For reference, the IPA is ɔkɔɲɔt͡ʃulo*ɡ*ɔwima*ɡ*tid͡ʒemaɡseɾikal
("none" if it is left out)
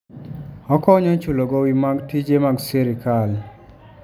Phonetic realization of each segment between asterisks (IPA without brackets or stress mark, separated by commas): ɡ, ɡ